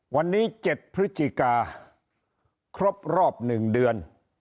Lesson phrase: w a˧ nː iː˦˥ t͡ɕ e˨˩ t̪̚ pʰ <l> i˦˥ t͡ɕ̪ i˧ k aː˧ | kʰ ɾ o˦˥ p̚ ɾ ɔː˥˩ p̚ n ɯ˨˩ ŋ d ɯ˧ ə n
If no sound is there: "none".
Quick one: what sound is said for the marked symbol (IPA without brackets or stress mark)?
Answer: ɾ